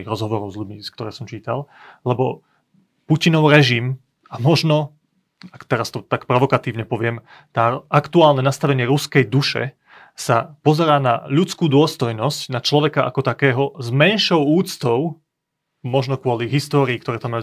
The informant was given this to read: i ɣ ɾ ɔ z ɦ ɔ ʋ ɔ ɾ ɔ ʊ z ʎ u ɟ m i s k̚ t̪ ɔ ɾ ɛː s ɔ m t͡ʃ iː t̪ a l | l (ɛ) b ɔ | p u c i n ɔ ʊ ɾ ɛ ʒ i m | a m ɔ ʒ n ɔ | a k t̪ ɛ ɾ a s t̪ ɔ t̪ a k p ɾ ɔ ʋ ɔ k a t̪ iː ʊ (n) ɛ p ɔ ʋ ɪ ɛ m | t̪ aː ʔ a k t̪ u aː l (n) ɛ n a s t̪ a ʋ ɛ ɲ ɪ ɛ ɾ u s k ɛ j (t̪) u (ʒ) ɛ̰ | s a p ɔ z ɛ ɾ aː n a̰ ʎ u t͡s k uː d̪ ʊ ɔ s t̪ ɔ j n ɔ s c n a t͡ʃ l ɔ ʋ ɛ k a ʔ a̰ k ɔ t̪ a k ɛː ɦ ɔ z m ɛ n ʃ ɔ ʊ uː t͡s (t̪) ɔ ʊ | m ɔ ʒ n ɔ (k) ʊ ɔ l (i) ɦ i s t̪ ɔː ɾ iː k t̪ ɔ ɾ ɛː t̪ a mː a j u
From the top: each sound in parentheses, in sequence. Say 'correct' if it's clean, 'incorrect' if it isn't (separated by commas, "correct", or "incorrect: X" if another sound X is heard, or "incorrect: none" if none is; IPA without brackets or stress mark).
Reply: correct, incorrect: ɲ, correct, incorrect: d̪, incorrect: ʃ, correct, correct, correct